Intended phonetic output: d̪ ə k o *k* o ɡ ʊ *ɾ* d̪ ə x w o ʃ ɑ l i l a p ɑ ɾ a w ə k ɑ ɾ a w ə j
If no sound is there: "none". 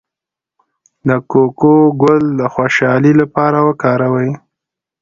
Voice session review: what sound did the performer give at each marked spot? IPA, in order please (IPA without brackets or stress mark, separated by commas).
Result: k, l